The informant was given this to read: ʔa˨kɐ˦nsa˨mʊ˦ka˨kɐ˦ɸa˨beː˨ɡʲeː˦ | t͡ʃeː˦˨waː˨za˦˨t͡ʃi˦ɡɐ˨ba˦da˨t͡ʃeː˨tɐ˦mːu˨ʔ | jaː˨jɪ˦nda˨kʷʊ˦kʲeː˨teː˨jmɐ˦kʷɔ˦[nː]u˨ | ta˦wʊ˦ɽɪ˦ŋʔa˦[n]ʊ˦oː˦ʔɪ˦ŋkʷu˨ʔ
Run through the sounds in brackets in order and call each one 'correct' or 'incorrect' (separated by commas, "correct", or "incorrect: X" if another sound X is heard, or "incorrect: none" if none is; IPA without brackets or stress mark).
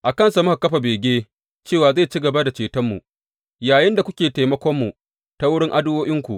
incorrect: mː, incorrect: d